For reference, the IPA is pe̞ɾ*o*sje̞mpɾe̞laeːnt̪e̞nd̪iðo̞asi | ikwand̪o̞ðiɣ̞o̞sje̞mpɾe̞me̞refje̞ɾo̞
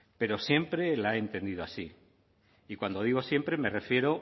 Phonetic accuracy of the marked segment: correct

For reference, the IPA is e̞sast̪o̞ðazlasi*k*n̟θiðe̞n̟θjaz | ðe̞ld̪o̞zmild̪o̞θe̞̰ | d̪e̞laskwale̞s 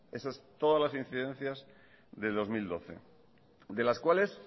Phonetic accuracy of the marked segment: incorrect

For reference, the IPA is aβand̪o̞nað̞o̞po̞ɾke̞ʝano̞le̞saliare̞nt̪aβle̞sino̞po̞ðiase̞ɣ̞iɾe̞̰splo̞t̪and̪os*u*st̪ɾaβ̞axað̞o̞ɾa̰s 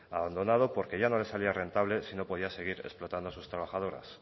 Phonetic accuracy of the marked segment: correct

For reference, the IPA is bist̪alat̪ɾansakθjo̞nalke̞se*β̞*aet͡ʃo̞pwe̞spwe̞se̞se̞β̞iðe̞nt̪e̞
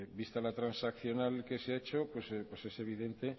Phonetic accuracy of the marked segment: incorrect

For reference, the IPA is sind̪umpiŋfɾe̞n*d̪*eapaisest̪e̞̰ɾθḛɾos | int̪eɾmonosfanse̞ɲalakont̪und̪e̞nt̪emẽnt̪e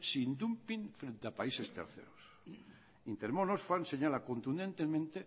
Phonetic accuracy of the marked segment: incorrect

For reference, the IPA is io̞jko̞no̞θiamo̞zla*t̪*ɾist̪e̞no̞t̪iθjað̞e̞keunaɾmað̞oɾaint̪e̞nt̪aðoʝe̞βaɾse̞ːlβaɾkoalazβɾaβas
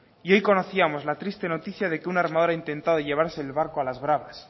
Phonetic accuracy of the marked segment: correct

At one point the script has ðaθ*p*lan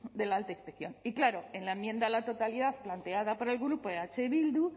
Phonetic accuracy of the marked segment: correct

